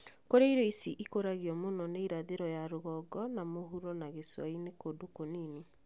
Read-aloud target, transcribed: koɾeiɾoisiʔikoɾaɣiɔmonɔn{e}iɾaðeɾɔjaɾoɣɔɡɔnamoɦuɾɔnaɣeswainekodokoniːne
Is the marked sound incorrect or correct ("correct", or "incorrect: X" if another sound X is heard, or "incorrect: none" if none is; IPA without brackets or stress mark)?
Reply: correct